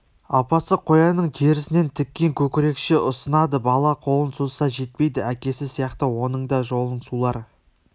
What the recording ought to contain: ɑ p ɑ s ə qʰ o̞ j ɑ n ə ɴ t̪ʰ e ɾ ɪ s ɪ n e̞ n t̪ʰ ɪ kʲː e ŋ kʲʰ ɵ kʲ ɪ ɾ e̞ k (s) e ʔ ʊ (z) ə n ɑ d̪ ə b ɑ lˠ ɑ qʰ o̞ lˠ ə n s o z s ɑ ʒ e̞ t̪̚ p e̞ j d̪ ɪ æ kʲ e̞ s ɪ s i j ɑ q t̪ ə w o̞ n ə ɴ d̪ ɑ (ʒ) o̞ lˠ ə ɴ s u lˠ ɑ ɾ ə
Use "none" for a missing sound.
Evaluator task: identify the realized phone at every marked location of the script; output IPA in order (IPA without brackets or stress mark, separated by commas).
ʃ, s, ʒ